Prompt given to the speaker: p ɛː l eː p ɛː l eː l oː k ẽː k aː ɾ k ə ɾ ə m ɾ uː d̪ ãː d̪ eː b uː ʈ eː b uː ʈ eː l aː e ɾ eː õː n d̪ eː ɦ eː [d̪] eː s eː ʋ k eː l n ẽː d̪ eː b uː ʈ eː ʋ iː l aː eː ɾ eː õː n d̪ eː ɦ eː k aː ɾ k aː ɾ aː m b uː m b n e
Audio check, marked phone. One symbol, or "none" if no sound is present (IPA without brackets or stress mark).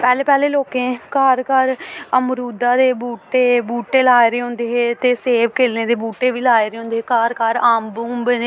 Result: t̪